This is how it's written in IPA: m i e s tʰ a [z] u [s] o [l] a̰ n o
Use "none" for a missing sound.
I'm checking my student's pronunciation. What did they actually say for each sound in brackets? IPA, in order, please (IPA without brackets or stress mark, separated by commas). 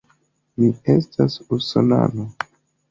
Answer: s, s, l